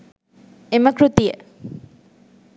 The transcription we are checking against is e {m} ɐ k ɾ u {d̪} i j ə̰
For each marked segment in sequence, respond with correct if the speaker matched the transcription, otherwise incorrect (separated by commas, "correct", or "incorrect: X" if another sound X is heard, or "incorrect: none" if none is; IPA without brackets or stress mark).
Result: correct, incorrect: t̪